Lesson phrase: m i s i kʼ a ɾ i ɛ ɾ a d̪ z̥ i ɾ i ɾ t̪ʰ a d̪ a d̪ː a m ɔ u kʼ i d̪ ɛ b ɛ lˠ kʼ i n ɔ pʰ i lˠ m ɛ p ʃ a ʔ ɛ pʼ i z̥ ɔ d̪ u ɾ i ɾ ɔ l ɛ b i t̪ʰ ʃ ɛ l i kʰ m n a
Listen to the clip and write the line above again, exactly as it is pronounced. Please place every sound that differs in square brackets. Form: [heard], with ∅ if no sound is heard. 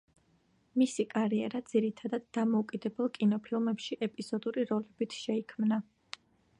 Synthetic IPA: m i s i kʼ a ɾ i ɛ ɾ a d̪ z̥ i ɾ i [∅] t̪ʰ a d̪ a d̪ː a m ɔ u kʼ i d̪ ɛ b ɛ lˠ kʼ i n ɔ pʰ i lˠ m ɛ p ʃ [i] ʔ ɛ pʼ i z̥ ɔ d̪ u ɾ i ɾ ɔ l ɛ b i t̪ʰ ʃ ɛ [∅] i kʰ m n a